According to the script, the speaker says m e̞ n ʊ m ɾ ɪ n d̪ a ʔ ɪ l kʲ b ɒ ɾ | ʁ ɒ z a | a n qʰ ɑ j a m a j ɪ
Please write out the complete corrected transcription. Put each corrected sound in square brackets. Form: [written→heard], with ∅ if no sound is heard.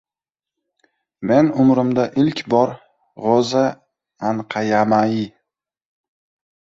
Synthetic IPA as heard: m e̞ n ʊ m ɾ ɪ [n→m] d̪ a ʔ ɪ l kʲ b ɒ ɾ | ʁ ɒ z a | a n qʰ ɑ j a m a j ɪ

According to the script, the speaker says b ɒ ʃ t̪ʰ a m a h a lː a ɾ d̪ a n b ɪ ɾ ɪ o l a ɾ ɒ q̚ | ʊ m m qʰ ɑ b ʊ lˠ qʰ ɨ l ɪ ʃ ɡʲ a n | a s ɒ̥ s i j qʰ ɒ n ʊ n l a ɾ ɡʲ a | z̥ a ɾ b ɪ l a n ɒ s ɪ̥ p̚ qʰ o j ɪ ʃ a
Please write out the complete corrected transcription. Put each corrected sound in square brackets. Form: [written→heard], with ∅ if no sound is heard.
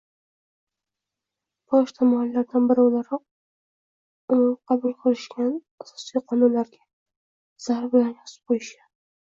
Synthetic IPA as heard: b ɒ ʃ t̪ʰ a m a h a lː a ɾ d̪ a n b ɪ ɾ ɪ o l a ɾ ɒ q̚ | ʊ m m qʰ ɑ b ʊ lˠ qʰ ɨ l ɪ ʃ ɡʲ a n | a s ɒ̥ s i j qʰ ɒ n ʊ n l a ɾ ɡʲ a | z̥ a ɾ b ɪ l a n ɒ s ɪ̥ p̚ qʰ o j ɪ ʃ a

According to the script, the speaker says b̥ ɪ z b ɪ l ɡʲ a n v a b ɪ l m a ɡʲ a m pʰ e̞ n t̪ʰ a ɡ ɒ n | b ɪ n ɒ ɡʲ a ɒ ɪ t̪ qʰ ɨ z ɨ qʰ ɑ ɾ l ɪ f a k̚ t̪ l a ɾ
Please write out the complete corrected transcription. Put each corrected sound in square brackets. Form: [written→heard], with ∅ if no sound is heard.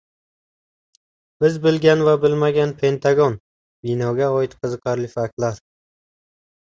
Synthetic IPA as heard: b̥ ɪ z b ɪ l ɡʲ a n v a b ɪ l m a ɡʲ a [m→n] pʰ e̞ n t̪ʰ a ɡ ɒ n | b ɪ n ɒ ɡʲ a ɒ ɪ t̪ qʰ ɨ z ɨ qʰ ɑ ɾ l ɪ f a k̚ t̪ l a ɾ

